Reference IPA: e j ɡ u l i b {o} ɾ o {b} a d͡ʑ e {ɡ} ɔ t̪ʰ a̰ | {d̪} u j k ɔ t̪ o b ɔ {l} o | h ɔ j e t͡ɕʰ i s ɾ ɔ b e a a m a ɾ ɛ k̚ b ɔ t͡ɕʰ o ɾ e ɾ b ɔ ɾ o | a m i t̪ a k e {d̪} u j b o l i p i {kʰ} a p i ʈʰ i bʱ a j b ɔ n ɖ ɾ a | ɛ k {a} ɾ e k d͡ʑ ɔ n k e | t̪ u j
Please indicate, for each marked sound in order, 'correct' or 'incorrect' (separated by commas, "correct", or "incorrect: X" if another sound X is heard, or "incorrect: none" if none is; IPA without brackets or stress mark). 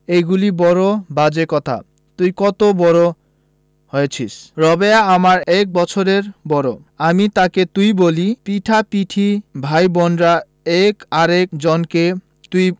incorrect: ɔ, correct, incorrect: k, incorrect: t̪, incorrect: ɾ, incorrect: t̪, incorrect: ʈʰ, correct